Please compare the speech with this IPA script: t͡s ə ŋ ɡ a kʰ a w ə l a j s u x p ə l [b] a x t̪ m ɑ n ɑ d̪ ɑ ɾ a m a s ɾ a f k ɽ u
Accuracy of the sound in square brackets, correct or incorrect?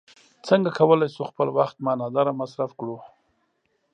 incorrect